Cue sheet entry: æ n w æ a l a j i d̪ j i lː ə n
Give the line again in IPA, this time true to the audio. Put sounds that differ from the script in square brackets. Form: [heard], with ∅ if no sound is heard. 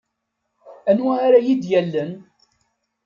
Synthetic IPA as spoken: æ n w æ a [ɾ] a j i d̪ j [æ] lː ə n